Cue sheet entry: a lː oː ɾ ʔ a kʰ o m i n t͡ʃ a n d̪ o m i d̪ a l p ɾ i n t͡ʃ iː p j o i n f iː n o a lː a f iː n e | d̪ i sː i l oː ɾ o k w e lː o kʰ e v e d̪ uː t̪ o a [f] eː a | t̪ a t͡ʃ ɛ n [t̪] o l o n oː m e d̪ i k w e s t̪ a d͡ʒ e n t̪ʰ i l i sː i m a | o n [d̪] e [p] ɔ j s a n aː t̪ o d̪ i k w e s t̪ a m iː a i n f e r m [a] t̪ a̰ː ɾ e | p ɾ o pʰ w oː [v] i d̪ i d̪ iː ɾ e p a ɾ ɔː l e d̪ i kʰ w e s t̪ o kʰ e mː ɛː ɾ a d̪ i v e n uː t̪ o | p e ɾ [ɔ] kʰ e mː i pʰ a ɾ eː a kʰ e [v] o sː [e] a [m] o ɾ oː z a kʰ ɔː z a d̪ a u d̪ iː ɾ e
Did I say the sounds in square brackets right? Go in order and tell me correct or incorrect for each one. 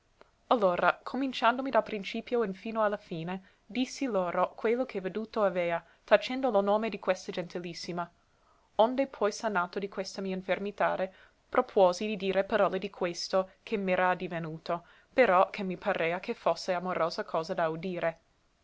incorrect: v, incorrect: d̪, correct, incorrect: pʰ, incorrect: i, incorrect: z, correct, incorrect: f, correct, correct

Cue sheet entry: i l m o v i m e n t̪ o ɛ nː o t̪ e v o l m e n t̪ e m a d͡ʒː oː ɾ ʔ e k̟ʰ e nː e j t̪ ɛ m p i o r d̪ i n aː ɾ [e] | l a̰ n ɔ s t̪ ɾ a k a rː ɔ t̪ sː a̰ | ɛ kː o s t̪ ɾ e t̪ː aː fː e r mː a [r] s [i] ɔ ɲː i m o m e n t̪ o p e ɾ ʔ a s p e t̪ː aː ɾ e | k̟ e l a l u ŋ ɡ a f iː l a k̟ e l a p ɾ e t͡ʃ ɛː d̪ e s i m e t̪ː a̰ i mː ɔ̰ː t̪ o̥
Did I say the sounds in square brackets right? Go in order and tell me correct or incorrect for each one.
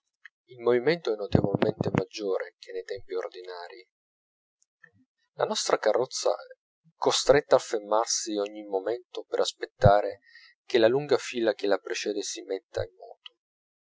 incorrect: i, correct, correct

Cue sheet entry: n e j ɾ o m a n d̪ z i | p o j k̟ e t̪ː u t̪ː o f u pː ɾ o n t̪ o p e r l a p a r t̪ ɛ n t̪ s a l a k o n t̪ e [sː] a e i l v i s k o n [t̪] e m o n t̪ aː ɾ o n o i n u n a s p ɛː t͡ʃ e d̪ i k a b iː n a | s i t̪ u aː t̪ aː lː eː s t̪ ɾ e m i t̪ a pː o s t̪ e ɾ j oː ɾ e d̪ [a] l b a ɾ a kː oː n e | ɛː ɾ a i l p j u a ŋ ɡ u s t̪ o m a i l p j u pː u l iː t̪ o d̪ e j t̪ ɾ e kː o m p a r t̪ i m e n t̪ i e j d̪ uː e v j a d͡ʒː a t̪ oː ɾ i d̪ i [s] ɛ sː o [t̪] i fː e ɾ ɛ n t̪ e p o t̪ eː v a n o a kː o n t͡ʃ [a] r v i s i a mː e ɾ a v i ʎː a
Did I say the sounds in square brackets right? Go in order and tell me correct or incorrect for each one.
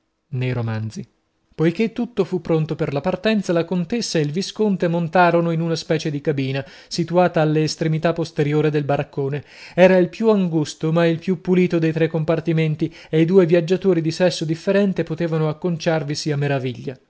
correct, correct, incorrect: e, correct, incorrect: d̪, correct

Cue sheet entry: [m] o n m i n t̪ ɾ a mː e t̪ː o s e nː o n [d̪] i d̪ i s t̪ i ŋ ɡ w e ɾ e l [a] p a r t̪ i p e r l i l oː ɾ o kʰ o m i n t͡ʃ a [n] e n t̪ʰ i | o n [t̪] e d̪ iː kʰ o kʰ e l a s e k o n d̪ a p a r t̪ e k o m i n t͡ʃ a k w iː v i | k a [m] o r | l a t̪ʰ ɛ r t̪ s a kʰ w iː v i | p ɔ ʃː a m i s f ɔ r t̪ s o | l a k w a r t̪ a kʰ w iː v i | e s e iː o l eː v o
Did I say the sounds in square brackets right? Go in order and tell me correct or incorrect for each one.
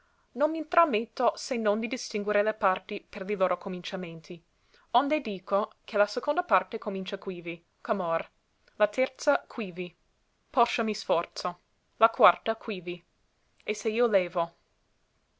incorrect: n, correct, incorrect: e, incorrect: m, incorrect: d̪, correct

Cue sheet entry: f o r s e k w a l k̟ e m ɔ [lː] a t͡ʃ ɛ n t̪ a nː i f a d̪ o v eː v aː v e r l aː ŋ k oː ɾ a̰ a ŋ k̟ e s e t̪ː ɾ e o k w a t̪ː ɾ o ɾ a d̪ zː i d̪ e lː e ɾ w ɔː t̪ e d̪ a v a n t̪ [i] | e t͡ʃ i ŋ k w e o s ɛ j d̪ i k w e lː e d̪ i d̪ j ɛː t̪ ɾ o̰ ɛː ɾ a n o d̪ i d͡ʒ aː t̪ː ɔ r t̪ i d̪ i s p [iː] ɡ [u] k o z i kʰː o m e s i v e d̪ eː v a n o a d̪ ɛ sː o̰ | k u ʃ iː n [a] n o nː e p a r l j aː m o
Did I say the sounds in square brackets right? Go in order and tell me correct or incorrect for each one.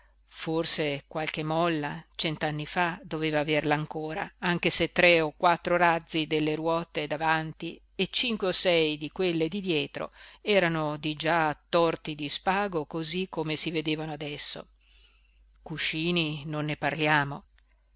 correct, correct, incorrect: aː, incorrect: o, incorrect: i

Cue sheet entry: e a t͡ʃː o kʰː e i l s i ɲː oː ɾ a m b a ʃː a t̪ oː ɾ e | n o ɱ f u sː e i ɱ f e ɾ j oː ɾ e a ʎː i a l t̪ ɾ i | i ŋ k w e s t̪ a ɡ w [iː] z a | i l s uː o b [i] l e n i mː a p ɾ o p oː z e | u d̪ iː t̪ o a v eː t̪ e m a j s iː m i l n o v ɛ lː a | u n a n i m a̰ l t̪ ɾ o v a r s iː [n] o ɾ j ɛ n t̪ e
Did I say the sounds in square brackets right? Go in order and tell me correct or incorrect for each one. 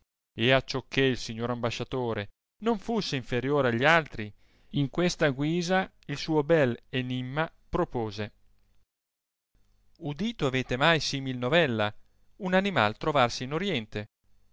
correct, incorrect: ɛ, correct

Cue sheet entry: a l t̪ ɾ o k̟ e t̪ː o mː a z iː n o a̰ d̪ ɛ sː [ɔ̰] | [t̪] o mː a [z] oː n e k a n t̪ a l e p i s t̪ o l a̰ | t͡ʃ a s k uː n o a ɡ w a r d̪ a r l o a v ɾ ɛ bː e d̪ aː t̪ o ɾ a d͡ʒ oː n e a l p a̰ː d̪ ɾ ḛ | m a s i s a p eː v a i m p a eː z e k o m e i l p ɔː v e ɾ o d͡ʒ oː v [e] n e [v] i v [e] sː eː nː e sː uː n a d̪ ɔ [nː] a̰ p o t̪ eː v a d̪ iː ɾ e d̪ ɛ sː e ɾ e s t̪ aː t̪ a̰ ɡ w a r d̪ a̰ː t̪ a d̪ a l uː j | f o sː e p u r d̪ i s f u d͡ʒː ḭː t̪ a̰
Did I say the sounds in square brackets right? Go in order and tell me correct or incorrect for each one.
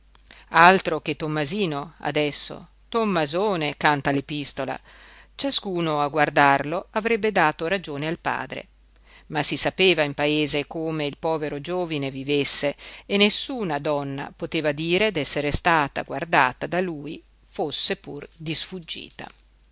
incorrect: o̰, correct, correct, incorrect: i, correct, correct, correct

